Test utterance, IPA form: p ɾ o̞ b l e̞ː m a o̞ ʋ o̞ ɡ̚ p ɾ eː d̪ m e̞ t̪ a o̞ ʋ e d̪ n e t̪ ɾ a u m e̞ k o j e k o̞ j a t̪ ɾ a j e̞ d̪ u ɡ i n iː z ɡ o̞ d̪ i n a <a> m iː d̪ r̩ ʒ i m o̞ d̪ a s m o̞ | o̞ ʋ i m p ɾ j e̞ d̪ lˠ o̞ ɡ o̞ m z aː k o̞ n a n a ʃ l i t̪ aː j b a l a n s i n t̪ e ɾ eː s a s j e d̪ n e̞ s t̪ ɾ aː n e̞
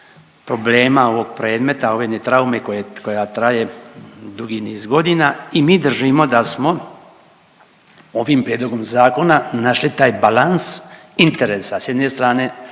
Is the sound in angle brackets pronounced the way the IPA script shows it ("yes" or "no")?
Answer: no